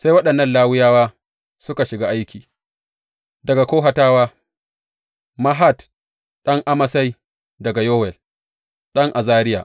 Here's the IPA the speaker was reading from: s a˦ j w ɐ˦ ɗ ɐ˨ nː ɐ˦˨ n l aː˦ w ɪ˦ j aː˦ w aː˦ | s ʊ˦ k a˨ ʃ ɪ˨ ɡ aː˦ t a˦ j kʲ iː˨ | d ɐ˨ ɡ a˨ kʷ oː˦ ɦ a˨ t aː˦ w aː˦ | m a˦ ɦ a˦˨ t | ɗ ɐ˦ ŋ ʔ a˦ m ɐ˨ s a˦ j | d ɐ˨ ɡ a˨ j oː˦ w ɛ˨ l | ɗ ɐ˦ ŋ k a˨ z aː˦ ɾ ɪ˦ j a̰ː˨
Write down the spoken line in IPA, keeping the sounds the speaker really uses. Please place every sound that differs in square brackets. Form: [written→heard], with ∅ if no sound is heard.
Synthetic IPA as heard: s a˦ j w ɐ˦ ɗ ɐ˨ nː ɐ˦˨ n l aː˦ w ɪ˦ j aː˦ w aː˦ | s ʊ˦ k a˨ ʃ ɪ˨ ɡ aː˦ [t→ʔ] a˦ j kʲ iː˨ | d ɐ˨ ɡ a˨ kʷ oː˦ ɦ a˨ t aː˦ w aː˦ | m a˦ ɦ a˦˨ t | ɗ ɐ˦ ŋ ʔ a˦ m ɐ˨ s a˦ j | d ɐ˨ ɡ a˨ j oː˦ w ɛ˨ l | ɗ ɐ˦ ŋ [k→ʔ] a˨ z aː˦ ɾ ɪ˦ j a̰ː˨